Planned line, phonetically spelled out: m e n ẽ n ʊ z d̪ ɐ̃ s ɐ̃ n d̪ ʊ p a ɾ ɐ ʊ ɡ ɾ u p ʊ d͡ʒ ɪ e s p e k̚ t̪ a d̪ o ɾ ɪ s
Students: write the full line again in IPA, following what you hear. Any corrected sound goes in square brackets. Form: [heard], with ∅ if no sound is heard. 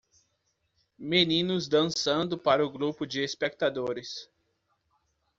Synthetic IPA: m e n [ĩ] n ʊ z d̪ ɐ̃ s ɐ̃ n d̪ ʊ p a ɾ ɐ ʊ ɡ ɾ u p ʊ d͡ʒ ɪ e s p e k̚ t̪ a d̪ o ɾ ɪ s